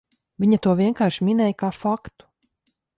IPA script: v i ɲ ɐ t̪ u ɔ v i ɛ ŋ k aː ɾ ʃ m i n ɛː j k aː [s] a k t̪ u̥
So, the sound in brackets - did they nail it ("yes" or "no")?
no